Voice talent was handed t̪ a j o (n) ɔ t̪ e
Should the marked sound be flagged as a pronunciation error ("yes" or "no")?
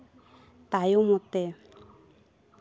yes